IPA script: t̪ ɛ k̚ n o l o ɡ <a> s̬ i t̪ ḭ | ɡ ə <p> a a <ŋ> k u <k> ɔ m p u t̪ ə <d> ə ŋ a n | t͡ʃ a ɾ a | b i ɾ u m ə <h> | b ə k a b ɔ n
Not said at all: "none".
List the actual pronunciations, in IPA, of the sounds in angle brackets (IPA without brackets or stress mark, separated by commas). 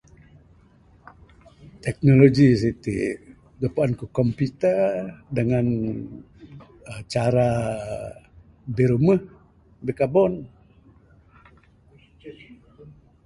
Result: i, p, n, k, d, h